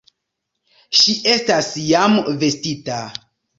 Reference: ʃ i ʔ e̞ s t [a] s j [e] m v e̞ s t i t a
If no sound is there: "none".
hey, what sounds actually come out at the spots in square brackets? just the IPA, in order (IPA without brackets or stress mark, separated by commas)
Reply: a, a